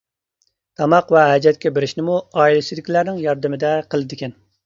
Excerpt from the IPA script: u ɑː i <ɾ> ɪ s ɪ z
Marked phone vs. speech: incorrect: l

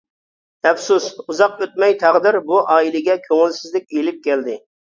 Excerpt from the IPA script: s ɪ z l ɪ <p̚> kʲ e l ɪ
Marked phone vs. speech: incorrect: none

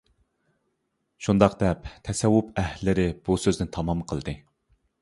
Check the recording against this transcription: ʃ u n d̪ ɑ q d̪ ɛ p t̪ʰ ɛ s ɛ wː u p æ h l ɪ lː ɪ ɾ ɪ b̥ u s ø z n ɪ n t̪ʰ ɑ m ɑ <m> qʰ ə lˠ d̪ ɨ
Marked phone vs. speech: correct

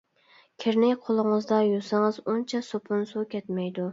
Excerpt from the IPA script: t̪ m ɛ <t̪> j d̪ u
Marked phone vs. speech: incorrect: none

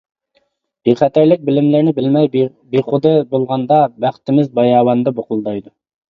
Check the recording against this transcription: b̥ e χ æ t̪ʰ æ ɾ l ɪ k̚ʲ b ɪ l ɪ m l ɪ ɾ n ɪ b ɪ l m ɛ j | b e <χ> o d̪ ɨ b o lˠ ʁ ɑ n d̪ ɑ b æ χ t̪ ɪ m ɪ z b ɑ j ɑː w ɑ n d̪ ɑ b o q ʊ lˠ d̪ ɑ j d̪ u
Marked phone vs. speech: correct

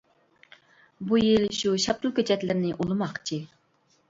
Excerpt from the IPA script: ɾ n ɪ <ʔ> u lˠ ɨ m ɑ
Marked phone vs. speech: correct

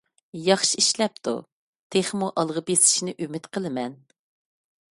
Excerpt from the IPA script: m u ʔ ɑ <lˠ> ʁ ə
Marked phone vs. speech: correct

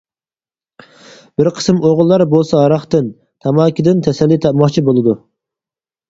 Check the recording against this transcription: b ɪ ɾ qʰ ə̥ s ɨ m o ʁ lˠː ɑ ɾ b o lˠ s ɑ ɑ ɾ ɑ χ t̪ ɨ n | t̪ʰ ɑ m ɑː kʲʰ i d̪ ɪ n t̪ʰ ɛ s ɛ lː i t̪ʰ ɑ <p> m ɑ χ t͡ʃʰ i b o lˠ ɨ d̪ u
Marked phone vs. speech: correct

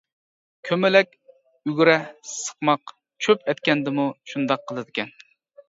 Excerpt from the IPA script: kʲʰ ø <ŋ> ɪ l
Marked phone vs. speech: incorrect: m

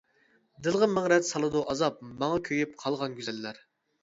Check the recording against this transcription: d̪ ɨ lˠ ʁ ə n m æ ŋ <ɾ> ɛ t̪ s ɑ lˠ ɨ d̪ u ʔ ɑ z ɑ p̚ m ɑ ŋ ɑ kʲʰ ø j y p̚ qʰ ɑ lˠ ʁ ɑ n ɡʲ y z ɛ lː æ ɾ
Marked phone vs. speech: correct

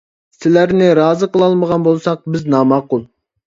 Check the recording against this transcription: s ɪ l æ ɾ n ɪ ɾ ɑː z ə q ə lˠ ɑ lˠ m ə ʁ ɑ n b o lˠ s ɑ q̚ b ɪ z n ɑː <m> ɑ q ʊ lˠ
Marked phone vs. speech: correct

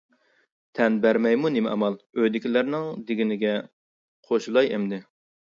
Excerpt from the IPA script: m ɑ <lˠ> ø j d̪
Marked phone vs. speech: correct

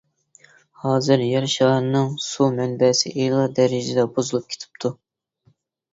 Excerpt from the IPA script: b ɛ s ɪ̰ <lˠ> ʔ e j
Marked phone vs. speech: incorrect: none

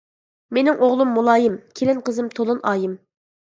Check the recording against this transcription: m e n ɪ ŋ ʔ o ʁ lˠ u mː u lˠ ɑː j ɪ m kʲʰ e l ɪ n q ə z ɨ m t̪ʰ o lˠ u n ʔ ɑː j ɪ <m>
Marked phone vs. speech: correct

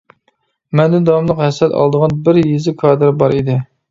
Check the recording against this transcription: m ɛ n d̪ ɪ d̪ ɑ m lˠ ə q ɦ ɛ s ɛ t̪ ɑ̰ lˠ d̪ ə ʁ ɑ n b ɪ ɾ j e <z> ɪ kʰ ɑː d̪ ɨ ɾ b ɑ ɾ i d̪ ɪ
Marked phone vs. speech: correct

